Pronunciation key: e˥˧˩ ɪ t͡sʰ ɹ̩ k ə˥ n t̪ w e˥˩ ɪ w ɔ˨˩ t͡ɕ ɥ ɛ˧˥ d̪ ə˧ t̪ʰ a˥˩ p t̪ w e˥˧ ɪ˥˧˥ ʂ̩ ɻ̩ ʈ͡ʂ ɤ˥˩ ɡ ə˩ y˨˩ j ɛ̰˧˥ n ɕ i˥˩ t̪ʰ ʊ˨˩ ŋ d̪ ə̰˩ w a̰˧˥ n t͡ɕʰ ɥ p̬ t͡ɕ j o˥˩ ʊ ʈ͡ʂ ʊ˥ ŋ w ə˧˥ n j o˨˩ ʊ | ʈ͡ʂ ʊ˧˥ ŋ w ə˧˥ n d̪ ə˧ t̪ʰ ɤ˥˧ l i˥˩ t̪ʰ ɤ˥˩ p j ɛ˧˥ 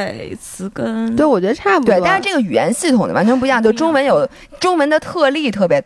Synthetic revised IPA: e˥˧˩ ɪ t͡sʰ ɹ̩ k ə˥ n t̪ w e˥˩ ɪ w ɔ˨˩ t͡ɕ ɥ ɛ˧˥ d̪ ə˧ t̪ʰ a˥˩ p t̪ w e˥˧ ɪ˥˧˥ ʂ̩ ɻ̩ ʈ͡ʂ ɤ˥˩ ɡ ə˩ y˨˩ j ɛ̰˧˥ n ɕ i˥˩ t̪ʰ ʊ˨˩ ŋ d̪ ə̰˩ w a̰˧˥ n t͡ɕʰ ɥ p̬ t͡ɕ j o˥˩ ʊ ʈ͡ʂ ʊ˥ ŋ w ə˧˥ n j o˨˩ ʊ | ʈ͡ʂ ʊ˥ ŋ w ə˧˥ n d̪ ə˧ t̪ʰ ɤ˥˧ l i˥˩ t̪ʰ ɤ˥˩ p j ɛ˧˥